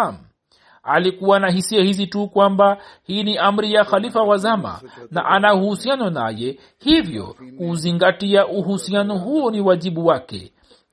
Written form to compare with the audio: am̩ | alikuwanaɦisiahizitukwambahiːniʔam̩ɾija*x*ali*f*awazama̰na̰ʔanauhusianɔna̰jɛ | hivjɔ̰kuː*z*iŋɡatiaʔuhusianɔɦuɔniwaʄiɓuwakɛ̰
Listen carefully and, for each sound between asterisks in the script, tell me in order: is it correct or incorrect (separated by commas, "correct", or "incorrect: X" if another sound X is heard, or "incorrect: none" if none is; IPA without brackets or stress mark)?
correct, correct, correct